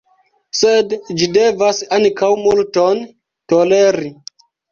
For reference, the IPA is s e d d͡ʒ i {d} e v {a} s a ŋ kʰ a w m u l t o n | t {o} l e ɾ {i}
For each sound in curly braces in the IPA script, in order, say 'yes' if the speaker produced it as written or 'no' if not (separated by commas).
yes, yes, yes, yes